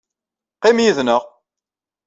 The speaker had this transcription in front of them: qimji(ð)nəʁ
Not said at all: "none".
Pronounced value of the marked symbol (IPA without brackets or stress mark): ð